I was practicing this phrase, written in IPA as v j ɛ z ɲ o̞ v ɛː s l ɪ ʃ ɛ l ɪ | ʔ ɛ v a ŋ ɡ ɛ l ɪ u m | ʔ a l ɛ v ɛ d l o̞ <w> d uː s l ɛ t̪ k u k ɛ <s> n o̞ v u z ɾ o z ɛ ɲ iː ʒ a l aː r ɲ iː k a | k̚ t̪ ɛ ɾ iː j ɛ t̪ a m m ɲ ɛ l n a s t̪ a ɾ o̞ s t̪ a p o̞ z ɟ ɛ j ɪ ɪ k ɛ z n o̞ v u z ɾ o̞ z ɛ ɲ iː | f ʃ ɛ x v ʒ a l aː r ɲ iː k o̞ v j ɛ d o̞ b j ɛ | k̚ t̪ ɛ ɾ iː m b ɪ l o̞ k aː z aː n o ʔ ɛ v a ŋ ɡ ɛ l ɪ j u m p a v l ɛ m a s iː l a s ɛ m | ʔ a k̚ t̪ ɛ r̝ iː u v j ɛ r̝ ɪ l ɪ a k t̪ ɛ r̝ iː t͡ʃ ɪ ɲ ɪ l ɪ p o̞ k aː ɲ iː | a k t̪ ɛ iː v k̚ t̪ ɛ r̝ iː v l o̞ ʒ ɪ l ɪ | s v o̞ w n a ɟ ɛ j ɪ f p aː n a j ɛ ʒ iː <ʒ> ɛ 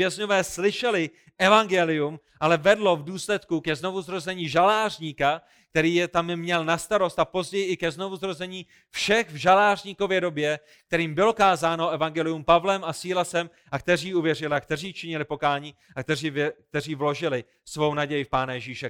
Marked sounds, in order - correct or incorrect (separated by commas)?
incorrect, incorrect, incorrect